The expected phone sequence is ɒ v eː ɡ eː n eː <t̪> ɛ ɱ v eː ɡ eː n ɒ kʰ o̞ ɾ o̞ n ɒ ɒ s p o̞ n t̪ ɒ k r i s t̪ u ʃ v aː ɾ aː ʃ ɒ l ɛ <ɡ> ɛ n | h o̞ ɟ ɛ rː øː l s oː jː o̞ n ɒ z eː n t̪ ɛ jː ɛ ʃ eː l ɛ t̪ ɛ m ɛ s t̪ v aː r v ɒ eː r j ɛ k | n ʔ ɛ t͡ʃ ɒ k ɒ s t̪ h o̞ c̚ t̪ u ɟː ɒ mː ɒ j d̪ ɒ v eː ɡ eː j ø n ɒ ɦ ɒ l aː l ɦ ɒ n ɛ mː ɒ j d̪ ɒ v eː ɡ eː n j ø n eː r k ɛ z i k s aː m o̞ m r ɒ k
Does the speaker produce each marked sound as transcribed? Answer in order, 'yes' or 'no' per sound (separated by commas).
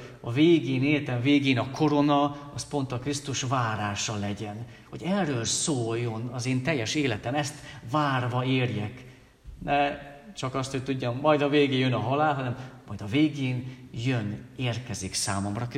yes, no